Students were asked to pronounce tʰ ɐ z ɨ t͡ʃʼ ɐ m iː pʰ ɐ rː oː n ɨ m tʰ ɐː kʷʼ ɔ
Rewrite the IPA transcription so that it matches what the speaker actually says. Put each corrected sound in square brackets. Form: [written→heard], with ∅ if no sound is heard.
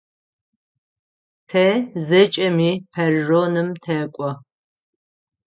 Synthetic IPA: tʰ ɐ z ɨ t͡ʃʼ ɐ m iː pʰ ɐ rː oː n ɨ m tʰ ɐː kʷʼ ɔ